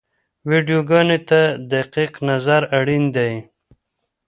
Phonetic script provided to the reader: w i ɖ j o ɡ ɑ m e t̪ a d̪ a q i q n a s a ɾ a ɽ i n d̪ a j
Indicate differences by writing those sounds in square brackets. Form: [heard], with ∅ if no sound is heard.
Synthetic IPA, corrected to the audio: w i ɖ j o ɡ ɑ [n] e t̪ a d̪ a q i q n a [z] a ɾ a ɽ i n d̪ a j